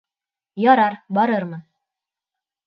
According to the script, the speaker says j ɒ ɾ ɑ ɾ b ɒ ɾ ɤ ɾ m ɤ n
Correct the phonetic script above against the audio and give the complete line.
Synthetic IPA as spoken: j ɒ ɾ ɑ ɾ b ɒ ɾ ɤ ɾ m ɤ n

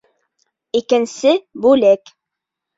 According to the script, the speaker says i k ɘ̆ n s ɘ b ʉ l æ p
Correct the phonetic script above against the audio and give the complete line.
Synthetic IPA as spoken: i k ɘ̆ n s ɘ b ʉ l æ k

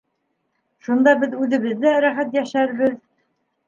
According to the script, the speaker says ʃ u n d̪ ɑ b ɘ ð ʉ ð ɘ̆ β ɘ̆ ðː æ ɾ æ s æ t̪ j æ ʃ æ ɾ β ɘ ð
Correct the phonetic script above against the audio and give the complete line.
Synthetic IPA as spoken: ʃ u n d̪ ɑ b ɘ ð ʉ ð ɘ̆ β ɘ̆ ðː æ ɾ æ χ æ t̪ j æ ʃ æ ɾ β ɘ ð

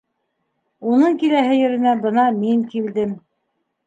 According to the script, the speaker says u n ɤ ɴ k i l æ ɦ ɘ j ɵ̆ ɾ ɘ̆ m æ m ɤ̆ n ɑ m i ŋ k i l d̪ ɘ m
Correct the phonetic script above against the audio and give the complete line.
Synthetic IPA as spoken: u n ɤ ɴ k i l æ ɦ ɘ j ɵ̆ ɾ ɘ̆ n æ b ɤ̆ n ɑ m i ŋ k i l d̪ ɘ m

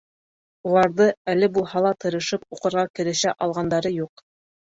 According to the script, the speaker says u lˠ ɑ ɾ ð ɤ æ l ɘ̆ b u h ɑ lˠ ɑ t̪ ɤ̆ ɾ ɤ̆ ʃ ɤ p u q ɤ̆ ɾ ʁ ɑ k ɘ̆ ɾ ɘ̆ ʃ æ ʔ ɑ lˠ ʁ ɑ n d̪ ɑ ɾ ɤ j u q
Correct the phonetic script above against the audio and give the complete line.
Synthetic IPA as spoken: u lˠ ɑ ɾ ð ɤ æ l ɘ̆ b u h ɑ lˠ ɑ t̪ ɤ̆ ɾ ɤ̆ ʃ ɤ p u q ɤ̆ ɾ ʁ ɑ k ɘ̆ ɾ ɘ̆ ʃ æ ʔ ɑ lˠ ʁ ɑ n d̪ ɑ ɾ ɤ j u q

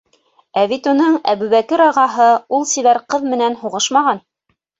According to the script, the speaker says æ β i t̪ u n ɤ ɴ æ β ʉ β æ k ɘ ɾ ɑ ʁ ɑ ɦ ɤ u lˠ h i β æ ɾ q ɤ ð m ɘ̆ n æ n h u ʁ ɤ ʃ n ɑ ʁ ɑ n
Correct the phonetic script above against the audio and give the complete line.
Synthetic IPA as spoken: æ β i t̪ u n ɤ ɴ æ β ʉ β æ k ɘ ɾ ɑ ʁ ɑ ɦ ɤ u lˠ s i β æ ɾ q ɤ ð m ɘ̆ n æ n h u ʁ ɤ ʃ m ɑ ʁ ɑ n

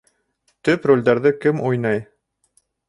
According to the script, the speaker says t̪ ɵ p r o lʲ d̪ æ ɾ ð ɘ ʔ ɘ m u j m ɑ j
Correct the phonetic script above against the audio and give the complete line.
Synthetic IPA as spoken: t̪ ɵ p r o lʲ d̪ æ ɾ ð ɘ k ɘ m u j n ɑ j

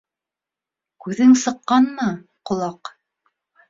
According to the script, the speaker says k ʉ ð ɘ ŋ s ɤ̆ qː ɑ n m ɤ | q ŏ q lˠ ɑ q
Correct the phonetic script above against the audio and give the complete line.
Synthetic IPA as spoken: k ʉ ð ɘ ŋ s ɤ̆ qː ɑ n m ɤ | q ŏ lˠ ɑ q

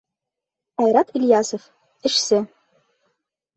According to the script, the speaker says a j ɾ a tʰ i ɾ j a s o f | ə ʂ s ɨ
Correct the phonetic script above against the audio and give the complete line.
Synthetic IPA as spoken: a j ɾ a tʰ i l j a s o f | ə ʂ s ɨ

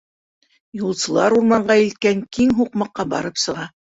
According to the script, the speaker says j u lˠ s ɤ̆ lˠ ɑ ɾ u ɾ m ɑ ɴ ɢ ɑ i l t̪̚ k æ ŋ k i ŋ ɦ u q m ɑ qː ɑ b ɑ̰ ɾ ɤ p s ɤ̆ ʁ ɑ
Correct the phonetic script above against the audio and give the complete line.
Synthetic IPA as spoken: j u lˠ s ɤ̆ lˠ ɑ ɾ u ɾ m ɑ ɴ ɢ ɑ i l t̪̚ k æ ŋ k i ŋ ɦ u q m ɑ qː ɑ b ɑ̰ ɾ ɤ p s ɤ̆ ʁ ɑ

